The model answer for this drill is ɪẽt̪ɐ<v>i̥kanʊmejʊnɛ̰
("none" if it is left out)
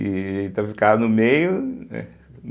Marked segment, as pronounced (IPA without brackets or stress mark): f